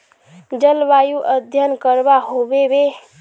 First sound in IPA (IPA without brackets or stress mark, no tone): d͡ʒ